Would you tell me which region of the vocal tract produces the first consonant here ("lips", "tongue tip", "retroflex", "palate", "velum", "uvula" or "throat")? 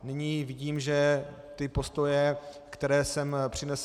tongue tip